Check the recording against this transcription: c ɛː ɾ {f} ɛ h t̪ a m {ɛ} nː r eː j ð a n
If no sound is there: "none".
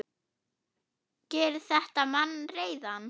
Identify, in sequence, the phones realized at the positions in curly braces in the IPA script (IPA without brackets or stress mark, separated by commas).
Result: θ, a